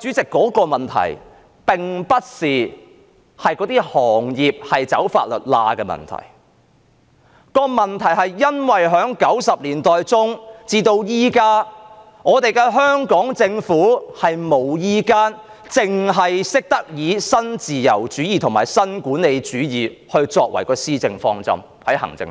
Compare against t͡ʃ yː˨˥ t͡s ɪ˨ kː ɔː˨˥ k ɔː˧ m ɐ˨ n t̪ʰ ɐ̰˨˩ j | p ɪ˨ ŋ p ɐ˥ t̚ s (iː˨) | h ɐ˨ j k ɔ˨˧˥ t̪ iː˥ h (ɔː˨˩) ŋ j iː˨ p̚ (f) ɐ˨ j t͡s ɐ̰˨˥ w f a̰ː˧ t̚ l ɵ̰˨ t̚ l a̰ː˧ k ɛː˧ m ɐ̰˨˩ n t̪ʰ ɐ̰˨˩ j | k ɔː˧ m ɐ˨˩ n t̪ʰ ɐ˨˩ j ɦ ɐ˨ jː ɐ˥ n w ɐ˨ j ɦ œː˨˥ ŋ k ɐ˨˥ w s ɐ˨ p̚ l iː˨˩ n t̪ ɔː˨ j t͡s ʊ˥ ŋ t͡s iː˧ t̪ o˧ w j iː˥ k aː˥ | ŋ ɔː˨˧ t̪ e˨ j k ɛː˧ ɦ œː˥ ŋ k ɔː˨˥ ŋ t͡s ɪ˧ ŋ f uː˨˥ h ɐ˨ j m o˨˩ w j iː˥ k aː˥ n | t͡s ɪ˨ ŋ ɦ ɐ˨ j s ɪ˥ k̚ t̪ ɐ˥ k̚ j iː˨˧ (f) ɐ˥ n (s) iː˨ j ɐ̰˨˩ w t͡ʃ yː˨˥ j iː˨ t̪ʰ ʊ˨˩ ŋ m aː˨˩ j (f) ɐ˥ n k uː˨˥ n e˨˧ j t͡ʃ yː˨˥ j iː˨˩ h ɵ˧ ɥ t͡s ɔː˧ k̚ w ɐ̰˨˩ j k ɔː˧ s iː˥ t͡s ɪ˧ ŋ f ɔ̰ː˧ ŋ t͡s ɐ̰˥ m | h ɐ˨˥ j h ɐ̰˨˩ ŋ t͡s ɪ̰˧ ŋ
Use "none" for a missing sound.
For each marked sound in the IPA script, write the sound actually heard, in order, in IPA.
iː˨, ɔː˨˩, h, s, t͡s, s

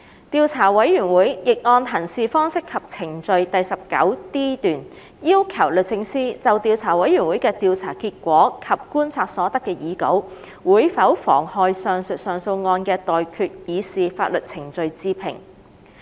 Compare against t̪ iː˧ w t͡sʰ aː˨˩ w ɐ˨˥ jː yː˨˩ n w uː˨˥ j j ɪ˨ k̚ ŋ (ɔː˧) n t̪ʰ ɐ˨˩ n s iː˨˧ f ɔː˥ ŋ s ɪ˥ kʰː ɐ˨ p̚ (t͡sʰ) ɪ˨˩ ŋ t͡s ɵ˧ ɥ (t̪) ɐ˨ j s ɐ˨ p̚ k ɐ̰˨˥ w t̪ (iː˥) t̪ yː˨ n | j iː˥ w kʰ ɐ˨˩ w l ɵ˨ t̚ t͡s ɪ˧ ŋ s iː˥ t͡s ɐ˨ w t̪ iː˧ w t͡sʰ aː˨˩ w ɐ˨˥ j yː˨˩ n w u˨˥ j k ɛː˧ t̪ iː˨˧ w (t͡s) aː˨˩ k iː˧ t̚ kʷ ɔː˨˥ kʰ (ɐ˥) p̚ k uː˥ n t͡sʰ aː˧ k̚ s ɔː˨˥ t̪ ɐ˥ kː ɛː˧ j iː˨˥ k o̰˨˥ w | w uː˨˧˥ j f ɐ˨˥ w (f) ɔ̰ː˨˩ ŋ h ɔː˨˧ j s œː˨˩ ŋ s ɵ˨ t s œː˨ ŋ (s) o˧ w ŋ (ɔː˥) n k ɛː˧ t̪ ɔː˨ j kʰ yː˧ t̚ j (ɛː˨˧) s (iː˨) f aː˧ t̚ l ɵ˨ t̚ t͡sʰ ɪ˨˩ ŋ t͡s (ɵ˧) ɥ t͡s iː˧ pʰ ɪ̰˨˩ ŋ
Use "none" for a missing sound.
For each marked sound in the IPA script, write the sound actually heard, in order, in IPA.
ɔː˧, t͡sʰ, t̪, iː˥, t͡sʰ, ɐ˨, f, s, ɔː˧, iː˨˧, iː˨, ɵ˧

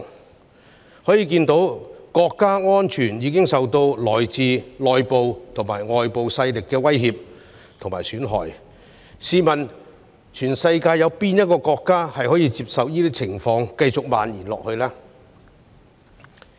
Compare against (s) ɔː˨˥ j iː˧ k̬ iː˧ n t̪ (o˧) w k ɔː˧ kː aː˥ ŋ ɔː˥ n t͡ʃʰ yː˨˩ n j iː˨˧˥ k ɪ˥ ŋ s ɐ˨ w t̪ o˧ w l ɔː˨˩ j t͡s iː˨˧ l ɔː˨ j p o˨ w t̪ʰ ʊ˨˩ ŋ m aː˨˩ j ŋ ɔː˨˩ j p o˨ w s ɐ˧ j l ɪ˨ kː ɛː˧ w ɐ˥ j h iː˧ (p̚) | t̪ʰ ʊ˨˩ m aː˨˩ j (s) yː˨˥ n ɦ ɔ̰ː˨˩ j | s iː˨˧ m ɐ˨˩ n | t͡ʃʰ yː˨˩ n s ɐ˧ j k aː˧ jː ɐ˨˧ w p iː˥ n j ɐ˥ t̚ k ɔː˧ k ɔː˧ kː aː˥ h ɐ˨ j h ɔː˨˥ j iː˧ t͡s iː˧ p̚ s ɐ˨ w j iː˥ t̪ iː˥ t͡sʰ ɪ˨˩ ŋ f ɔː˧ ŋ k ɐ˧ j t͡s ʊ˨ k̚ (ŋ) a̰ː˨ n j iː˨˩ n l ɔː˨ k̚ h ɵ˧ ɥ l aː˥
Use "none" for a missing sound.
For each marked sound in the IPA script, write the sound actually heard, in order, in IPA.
h, o˨˥, p̚, s, m

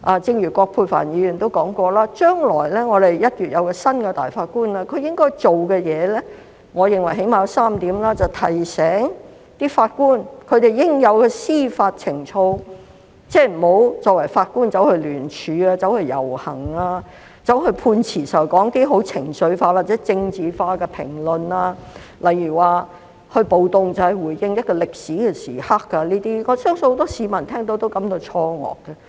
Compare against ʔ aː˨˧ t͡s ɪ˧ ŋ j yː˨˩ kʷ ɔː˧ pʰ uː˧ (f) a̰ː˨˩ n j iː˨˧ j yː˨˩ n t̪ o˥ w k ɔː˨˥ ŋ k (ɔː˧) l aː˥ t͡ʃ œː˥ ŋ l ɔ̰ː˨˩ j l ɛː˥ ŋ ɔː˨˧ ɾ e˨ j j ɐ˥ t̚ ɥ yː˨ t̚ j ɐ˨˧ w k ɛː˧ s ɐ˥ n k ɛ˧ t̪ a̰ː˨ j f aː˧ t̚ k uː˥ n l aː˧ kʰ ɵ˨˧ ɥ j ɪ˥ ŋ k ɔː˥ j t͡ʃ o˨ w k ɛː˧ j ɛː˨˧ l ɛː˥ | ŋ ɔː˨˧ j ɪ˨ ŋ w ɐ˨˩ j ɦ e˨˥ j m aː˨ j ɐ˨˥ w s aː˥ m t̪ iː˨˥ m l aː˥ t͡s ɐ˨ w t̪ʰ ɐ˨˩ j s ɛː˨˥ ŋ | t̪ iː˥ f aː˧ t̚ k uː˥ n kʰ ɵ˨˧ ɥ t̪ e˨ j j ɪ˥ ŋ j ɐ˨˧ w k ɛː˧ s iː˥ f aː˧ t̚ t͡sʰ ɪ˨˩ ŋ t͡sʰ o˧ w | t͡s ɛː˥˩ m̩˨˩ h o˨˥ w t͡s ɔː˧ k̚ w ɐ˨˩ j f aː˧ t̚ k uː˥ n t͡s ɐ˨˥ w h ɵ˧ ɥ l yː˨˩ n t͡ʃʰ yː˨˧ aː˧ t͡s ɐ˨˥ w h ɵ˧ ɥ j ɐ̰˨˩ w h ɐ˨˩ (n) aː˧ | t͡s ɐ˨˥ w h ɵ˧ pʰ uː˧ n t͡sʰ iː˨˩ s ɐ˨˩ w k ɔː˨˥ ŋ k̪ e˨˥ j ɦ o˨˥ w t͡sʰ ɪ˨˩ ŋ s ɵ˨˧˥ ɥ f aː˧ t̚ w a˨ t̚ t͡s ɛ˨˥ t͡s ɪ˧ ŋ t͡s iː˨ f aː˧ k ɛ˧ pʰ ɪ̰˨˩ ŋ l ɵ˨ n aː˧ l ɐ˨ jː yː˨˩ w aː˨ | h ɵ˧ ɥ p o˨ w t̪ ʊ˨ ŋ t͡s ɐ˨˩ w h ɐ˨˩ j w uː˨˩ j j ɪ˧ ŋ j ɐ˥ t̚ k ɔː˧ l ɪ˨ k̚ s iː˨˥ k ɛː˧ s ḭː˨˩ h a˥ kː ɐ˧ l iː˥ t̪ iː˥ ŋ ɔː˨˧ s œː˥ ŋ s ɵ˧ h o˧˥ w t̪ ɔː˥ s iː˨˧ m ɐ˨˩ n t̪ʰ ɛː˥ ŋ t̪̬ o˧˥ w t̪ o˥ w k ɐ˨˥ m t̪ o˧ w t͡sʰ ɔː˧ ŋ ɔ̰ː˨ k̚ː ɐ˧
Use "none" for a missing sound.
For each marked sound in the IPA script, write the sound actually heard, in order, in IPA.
f, ɔː˧, ŋ

